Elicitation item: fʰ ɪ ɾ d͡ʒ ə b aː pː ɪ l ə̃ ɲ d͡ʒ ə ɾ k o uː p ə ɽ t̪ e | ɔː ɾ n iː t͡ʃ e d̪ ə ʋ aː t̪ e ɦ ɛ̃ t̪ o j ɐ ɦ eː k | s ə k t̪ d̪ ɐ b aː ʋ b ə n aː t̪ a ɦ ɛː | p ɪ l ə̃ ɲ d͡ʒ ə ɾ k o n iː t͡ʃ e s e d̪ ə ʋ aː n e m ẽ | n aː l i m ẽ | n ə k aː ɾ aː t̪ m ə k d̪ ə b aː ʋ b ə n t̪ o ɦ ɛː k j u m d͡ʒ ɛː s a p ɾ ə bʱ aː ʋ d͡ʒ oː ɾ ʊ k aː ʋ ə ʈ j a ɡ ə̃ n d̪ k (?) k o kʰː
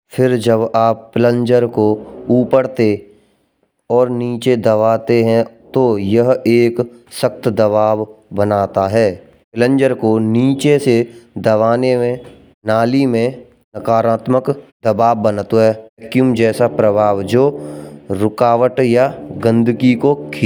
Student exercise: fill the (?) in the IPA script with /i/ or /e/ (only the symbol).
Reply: i